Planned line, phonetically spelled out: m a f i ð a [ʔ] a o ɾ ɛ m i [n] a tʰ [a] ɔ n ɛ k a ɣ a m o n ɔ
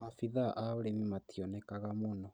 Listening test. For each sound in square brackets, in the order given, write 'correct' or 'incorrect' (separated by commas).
correct, incorrect, incorrect